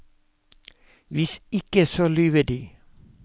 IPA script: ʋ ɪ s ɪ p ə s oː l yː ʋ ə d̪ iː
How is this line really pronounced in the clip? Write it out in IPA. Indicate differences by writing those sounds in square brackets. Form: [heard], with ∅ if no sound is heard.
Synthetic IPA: ʋ ɪ s ɪ [k] ə s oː l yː ʋ ə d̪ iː

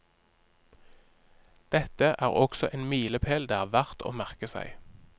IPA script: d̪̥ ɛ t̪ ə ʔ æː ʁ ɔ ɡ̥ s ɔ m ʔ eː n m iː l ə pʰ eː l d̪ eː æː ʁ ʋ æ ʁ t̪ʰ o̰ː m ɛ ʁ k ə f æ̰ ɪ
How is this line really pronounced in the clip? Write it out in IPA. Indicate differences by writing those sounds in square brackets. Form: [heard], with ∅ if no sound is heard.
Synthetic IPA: d̪̥ ɛ t̪ ə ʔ æː ʁ ɔ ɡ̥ s ɔ [∅] ʔ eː n m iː l ə pʰ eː l d̪ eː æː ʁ ʋ æ ʁ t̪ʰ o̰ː m [æ] ʁ k ə [s] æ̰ ɪ

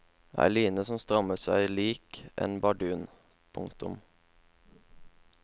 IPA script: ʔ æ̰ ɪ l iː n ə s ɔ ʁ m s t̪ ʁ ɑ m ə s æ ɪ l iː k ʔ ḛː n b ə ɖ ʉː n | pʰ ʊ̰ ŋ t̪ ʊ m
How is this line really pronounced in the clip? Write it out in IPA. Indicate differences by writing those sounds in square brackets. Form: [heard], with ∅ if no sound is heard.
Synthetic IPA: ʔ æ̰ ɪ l iː n ə s ɔ [∅] m s t̪ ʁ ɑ m ə s æ ɪ l iː k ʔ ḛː n b [ɑ] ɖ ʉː n | pʰ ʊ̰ ŋ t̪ ʊ m

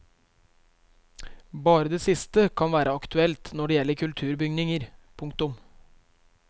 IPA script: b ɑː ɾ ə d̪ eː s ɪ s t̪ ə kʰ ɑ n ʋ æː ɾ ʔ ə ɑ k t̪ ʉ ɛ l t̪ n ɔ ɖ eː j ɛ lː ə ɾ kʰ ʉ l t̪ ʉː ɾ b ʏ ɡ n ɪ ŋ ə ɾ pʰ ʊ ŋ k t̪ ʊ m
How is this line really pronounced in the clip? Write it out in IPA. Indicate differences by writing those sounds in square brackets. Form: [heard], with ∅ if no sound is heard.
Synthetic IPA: b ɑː ɾ ə d̪ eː s ɪ s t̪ ə kʰ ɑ n ʋ æː ɾ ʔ ə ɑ k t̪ ʉ ɛ l t̪ n ɔ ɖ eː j ɛ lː ə ɾ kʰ ʉ l [t̪ʰ] ʉː ɾ b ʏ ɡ n ɪ ŋ ə ɾ pʰ ʊ ŋ k t̪ ʊ m

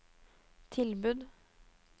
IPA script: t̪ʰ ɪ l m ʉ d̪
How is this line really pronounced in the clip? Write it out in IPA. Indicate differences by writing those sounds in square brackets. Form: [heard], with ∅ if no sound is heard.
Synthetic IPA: t̪ʰ ɪ l [b] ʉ d̪

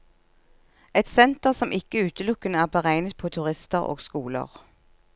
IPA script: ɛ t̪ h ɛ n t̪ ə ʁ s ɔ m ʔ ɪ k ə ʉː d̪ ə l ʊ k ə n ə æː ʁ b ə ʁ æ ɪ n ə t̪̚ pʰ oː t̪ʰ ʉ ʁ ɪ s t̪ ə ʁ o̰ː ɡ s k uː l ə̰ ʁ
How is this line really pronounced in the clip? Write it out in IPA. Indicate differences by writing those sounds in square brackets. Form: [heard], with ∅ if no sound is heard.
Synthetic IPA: ɛ t̪ [s] ɛ n t̪ ə ʁ s ɔ m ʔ ɪ k ə ʉː [t̪] ə l ʊ k ə n ə æː ʁ b ə ʁ æ ɪ n ə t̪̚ pʰ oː t̪ʰ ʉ ʁ ɪ s t̪ ə ʁ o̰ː ɡ s k uː l ə̰ ʁ

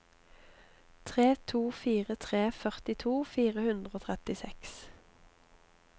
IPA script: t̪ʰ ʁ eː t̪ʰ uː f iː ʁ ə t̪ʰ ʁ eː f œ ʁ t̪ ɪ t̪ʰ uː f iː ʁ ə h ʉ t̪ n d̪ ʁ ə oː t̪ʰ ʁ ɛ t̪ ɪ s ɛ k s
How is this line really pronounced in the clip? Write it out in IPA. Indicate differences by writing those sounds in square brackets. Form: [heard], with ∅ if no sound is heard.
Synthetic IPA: t̪ʰ ʁ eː t̪ʰ uː f iː ʁ ə t̪ʰ ʁ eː f œ ʁ t̪ ɪ t̪ʰ uː f iː ʁ ə h ʉ [∅] n d̪ ʁ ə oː t̪ʰ ʁ ɛ t̪ ɪ s ɛ k s

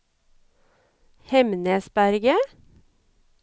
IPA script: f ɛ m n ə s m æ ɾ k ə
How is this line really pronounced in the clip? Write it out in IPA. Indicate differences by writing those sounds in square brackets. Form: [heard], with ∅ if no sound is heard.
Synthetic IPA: [h] ɛ m n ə s [b] æ ɾ [ɡ] ə

